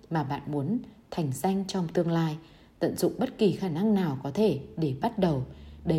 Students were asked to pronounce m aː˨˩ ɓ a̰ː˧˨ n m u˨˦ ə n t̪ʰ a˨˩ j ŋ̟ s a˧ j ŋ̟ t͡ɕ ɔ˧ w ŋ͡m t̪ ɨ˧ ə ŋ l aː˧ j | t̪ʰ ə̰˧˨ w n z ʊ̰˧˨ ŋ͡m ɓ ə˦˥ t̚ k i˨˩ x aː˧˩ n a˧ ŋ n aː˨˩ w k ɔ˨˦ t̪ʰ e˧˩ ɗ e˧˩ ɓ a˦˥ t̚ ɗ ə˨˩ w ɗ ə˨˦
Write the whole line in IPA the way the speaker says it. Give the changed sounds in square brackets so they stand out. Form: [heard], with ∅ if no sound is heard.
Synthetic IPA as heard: m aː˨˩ ɓ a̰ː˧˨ n m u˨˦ ə n t̪ʰ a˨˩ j ŋ̟ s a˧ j ŋ̟ t͡ɕ ɔ˧ w ŋ͡m t̪ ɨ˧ ə ŋ l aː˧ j | [t̪] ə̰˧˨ [∅] n z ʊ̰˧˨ ŋ͡m ɓ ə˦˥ t̚ k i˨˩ x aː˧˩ n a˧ ŋ n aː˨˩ w k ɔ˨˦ t̪ʰ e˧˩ ɗ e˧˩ ɓ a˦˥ t̚ ɗ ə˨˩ w ɗ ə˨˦